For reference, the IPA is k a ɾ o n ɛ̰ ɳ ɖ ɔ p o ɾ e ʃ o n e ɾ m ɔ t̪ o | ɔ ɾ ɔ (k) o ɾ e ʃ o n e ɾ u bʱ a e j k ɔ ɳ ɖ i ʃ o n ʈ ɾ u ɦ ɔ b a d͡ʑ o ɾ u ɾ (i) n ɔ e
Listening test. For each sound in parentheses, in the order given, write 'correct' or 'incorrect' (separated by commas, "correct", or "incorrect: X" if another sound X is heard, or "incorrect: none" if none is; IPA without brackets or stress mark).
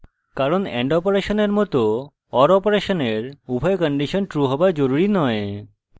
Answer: incorrect: p, correct